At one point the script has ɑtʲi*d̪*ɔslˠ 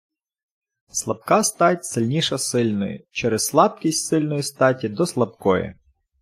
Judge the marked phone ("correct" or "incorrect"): correct